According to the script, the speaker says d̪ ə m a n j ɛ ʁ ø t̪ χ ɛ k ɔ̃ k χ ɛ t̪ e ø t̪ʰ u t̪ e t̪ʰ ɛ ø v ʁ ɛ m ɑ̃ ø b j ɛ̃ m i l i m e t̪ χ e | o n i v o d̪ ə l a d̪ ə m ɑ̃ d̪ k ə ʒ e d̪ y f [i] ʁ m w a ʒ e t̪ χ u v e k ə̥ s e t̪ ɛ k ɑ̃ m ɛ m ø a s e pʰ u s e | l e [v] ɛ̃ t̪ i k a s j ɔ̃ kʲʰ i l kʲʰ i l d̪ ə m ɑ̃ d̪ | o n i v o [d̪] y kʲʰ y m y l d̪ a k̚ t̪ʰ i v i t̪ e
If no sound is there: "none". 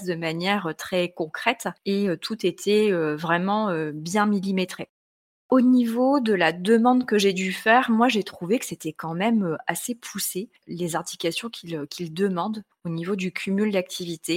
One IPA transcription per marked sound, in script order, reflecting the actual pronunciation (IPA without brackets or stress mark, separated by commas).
ɛ, z, d̪